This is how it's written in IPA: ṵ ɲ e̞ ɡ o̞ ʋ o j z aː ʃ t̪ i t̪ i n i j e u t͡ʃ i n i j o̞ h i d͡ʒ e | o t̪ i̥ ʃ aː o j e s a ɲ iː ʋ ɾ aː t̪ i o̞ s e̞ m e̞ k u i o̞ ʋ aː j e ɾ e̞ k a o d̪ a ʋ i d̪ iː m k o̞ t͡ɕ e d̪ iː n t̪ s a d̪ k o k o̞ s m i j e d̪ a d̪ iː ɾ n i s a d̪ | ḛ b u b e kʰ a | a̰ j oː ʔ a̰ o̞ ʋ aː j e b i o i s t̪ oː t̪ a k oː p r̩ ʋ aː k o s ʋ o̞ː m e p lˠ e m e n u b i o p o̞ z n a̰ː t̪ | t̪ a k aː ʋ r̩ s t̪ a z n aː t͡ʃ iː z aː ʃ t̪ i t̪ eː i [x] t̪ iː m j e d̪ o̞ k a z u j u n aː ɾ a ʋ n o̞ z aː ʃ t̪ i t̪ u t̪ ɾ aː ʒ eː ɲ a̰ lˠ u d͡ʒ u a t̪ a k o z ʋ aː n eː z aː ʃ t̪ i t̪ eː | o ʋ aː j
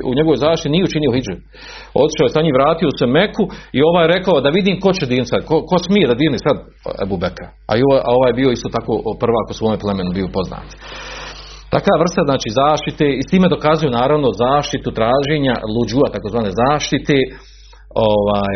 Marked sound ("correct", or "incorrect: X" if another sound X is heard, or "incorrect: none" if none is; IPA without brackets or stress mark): incorrect: s